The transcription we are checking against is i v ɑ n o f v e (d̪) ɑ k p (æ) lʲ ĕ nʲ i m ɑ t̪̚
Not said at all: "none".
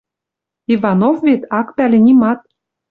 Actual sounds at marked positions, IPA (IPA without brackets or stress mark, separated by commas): t̪, æ